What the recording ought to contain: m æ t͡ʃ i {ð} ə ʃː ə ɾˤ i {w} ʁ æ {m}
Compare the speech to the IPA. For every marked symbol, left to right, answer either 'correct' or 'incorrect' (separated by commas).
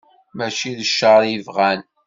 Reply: correct, incorrect, incorrect